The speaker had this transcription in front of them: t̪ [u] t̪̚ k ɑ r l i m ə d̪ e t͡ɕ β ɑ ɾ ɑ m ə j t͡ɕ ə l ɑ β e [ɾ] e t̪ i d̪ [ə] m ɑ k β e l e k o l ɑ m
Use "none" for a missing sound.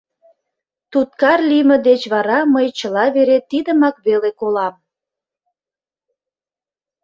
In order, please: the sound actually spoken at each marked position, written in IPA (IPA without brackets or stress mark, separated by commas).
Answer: u, ɾ, ə